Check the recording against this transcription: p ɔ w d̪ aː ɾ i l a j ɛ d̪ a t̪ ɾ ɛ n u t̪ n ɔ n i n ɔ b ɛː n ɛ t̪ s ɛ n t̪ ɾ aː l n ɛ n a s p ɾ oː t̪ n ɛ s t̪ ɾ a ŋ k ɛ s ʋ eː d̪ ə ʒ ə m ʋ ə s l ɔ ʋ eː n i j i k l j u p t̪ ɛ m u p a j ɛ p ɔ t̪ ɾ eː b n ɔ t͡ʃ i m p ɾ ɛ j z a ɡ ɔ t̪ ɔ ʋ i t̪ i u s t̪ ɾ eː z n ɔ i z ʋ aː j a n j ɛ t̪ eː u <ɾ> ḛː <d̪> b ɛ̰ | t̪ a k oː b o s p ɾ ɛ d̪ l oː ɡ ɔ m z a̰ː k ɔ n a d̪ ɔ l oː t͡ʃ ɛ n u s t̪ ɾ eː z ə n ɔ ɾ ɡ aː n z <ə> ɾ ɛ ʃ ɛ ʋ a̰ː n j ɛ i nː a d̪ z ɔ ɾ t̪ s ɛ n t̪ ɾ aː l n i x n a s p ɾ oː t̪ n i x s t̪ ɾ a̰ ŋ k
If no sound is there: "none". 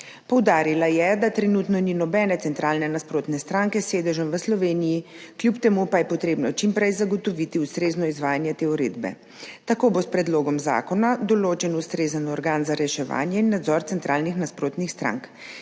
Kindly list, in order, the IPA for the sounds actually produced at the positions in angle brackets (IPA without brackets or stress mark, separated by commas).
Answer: ɾ, d̪, a